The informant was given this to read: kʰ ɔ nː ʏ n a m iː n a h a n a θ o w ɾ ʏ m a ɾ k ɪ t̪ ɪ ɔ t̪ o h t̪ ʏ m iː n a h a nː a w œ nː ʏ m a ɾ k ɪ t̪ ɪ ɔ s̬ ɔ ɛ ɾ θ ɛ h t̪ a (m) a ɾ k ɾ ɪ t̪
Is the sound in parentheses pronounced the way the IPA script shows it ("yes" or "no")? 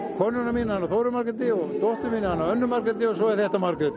yes